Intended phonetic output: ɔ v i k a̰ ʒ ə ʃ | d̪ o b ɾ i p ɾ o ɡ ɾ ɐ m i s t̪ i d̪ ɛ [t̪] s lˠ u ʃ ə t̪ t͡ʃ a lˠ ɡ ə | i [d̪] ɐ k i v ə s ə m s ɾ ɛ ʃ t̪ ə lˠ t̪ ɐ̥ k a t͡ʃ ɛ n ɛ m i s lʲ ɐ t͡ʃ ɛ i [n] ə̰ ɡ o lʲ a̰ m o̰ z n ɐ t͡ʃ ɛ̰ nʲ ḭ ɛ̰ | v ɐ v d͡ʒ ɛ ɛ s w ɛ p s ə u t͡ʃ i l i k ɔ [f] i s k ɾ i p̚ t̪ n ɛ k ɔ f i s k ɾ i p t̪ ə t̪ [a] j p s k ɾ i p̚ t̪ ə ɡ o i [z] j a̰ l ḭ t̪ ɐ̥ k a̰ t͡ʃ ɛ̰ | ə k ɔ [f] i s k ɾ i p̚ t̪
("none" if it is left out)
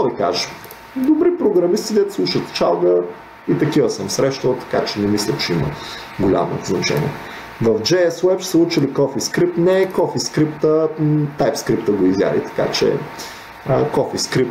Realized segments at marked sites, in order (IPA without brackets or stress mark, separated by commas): t̪, t̪, m, f, a, z, f